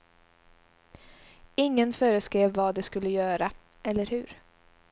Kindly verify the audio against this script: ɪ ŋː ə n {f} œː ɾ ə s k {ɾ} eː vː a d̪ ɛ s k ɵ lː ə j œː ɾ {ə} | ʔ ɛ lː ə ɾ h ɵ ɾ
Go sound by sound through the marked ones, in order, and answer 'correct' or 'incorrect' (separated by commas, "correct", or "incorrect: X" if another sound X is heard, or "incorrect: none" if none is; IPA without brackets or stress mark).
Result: correct, correct, incorrect: a